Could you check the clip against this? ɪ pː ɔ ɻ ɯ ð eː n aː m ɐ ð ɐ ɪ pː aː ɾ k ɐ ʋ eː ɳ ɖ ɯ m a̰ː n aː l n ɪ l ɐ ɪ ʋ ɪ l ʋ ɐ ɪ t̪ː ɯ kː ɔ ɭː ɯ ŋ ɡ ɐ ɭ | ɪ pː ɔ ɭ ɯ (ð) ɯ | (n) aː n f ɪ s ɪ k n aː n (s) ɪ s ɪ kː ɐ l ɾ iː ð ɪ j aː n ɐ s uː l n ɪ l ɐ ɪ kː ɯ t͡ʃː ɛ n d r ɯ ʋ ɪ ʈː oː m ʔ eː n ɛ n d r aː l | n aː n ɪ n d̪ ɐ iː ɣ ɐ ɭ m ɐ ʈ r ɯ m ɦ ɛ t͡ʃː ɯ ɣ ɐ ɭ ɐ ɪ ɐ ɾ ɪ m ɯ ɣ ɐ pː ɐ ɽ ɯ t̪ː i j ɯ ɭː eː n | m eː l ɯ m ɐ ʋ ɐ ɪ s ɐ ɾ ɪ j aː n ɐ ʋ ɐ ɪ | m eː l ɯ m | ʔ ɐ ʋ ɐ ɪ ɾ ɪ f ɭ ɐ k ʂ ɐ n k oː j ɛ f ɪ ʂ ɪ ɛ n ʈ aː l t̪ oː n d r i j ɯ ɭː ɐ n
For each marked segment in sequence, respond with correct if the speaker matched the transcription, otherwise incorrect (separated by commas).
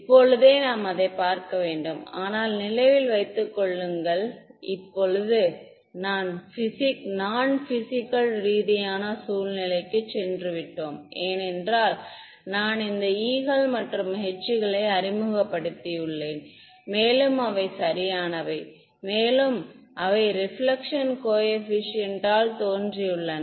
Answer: correct, correct, incorrect